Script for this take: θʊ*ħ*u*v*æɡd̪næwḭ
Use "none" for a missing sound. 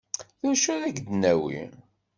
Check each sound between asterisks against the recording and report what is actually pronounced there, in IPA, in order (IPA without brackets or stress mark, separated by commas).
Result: ʃ, ð